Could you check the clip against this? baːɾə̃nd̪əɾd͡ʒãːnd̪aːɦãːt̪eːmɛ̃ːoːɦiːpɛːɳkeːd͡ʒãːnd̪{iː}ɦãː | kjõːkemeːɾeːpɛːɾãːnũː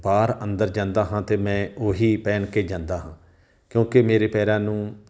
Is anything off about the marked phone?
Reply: yes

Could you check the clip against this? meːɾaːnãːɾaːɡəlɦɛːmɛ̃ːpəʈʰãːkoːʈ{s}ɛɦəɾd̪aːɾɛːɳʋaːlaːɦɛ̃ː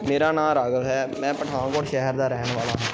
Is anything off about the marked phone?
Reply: yes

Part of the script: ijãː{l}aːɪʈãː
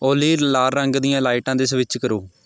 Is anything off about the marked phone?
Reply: no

